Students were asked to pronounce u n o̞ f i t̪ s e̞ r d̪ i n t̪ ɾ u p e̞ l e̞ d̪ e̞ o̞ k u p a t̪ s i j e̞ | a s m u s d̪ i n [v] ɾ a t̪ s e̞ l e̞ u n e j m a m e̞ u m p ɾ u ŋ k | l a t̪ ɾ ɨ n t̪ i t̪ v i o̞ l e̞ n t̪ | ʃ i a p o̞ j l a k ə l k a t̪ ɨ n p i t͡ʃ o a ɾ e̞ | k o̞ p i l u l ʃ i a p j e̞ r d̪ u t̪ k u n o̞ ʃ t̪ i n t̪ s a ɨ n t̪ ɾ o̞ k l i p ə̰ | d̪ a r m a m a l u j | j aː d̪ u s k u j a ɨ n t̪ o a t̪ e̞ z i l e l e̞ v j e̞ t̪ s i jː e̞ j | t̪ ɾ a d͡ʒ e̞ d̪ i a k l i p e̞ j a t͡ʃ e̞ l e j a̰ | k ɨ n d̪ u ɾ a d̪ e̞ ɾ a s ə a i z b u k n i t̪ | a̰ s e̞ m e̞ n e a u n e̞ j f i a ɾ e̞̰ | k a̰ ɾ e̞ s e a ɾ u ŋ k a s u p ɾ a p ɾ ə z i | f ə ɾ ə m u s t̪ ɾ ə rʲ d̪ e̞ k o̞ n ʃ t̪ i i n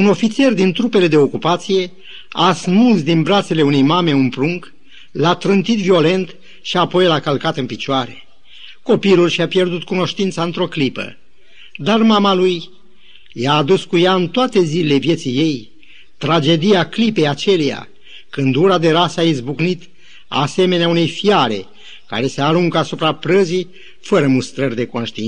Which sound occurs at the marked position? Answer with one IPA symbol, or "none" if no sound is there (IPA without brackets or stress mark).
b